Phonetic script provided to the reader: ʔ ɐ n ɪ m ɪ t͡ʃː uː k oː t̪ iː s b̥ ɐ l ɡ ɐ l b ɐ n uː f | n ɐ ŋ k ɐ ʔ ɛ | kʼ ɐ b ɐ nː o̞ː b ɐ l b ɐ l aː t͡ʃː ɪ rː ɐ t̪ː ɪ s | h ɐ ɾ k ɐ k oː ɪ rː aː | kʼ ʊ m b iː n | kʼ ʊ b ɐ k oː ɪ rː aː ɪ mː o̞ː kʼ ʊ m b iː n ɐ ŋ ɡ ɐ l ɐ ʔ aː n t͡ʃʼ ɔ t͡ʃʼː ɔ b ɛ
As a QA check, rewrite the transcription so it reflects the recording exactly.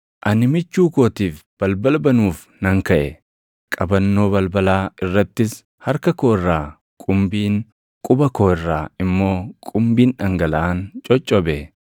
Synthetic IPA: ʔ ɐ n ɪ m ɪ t͡ʃː uː k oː t̪ iː f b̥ ɐ l b ɐ l b ɐ n uː f | n ɐ ŋ k ɐ ʔ ɛ | kʼ ɐ b ɐ nː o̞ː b ɐ l b ɐ l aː ɪ rː ɐ t̪ː ɪ s | h ɐ ɾ k ɐ k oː ɪ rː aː | kʼ ʊ m b iː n | kʼ ʊ b ɐ k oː ɪ rː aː ɪ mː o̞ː kʼ ʊ m b iː n ɐ ŋ ɡ ɐ l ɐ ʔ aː n t͡ʃʼ ɔ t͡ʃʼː ɔ b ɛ